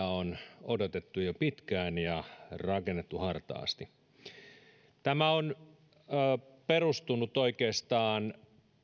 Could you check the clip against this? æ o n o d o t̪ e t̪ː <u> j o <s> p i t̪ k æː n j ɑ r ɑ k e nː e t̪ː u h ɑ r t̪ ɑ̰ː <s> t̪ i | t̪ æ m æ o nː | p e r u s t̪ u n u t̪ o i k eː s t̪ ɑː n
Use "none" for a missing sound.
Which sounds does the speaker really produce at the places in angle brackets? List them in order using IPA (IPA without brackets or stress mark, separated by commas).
u, none, s